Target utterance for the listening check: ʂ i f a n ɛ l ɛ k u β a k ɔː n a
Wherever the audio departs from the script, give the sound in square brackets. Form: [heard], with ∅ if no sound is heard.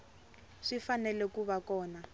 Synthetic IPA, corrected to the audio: ʂ i f a n ɛ l ɛ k u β a k ɔː n a